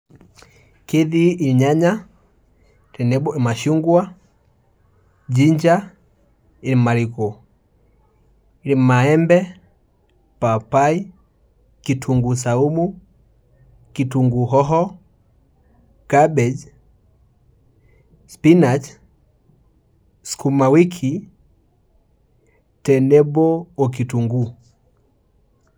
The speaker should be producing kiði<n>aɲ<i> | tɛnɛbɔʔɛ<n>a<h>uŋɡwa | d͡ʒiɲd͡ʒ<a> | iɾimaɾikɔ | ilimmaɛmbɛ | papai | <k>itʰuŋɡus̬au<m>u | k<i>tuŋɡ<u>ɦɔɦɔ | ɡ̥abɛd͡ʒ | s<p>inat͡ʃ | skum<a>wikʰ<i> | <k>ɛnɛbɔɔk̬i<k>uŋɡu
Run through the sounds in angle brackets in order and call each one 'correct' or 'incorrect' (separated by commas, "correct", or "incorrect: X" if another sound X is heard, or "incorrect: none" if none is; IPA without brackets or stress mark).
incorrect: ɲ, incorrect: a, incorrect: m, incorrect: ʃ, correct, correct, correct, correct, correct, correct, correct, correct, incorrect: t, incorrect: t